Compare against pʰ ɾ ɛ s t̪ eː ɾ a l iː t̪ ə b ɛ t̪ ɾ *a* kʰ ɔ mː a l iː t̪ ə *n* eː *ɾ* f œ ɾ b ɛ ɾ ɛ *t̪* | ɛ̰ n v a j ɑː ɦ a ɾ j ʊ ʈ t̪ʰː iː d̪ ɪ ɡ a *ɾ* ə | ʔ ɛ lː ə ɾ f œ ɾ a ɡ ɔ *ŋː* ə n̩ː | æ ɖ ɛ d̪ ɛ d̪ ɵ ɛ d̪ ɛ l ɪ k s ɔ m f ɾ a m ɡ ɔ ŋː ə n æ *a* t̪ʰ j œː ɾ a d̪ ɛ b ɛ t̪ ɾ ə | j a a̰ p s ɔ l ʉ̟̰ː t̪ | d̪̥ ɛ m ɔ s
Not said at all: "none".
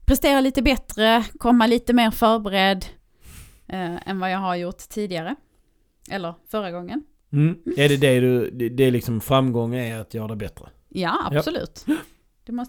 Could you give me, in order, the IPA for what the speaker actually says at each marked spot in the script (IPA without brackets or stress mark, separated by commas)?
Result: ə, m, ɾ, d̪, ɾ, ŋː, a